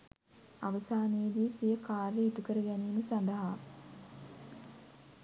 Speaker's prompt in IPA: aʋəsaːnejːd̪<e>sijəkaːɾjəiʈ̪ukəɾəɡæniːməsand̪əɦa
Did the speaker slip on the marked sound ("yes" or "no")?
yes